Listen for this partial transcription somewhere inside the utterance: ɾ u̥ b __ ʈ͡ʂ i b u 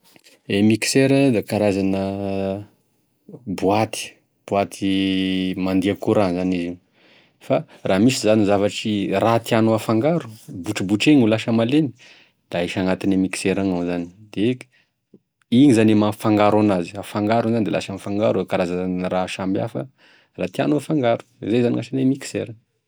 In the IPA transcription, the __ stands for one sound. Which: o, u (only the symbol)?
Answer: u